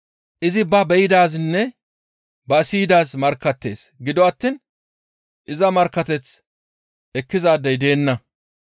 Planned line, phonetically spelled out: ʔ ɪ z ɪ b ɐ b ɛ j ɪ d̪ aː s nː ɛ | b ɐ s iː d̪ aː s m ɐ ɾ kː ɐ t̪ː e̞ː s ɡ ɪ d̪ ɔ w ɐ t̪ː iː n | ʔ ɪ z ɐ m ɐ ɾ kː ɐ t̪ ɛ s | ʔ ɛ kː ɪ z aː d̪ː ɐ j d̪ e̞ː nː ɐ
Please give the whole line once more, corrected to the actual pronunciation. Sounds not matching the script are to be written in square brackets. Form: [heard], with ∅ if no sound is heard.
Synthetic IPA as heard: ʔ ɪ z ɪ b ɐ b ɛ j ɪ d̪ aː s nː ɛ | b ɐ s iː d̪ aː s m ɐ ɾ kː ɐ t̪ː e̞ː s ɡ ɪ d̪ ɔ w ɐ t̪ː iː n | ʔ ɪ z ɐ m ɐ ɾ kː ɐ t̪ ɛ [t͡s] | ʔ ɛ kː ɪ z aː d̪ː ɐ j d̪ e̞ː nː ɐ